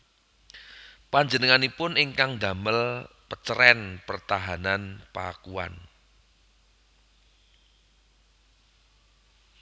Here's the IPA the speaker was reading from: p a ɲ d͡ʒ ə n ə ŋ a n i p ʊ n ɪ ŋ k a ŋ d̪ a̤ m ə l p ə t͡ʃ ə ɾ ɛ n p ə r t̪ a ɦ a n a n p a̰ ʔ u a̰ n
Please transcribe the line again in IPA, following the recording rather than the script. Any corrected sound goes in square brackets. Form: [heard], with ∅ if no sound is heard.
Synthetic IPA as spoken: p a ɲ d͡ʒ ə n ə ŋ a n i p ʊ n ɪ ŋ k a ŋ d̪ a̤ m ə l p ə t͡ʃ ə ɾ ɛ n p ə r t̪ a ɦ a n a n p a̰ [k] u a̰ n